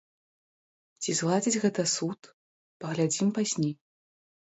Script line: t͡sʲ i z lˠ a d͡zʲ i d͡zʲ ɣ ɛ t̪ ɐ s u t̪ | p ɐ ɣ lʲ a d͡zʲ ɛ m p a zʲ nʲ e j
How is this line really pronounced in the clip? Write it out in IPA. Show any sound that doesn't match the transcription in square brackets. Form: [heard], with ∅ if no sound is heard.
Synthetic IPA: t͡sʲ i z lˠ a d͡zʲ i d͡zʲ ɣ ɛ t̪ ɐ s u t̪ | p ɐ ɣ lʲ a d͡zʲ [i] m p a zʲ nʲ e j